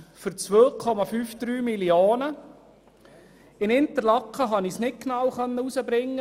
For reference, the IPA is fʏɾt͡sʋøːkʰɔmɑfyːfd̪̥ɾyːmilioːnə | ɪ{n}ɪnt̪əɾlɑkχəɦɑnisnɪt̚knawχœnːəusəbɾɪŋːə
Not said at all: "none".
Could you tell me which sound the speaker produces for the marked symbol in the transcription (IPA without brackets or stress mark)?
n